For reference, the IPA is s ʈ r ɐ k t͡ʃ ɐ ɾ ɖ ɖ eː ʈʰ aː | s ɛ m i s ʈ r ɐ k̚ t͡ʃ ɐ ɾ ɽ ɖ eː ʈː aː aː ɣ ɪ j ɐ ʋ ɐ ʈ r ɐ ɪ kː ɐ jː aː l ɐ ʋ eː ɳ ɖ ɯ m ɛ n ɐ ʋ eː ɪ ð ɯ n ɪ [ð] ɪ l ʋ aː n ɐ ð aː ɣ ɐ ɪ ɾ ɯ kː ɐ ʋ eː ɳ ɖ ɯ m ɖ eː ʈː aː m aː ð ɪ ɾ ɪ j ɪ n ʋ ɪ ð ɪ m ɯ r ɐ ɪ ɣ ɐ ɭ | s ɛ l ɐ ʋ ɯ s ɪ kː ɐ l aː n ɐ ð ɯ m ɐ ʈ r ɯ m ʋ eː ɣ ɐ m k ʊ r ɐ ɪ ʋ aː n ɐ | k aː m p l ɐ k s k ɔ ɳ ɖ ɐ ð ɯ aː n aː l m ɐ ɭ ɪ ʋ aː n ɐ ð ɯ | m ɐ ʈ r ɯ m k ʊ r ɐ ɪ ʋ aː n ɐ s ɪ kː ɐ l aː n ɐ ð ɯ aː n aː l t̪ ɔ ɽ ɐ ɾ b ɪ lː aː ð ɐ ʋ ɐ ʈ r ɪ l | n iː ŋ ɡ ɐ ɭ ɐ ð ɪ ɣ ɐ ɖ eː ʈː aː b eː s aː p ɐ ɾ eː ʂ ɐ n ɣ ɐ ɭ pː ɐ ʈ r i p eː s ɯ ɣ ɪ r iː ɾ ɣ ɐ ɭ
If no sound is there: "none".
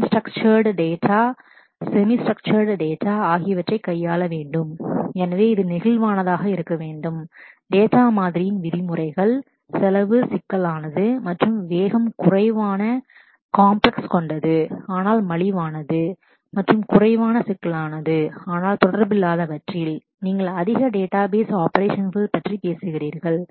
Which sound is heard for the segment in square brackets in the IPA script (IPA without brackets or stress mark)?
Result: ɣ